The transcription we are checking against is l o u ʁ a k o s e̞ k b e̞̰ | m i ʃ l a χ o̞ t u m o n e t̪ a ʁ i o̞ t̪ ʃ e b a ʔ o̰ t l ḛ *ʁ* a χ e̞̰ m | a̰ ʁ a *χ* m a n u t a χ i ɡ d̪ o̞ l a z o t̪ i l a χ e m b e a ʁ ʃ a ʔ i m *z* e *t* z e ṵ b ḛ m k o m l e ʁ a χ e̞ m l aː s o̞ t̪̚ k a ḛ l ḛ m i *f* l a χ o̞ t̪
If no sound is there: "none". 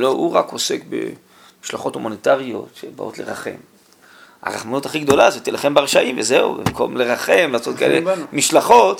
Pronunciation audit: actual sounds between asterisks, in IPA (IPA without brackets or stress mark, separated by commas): ʁ, χ, v, none, ʃ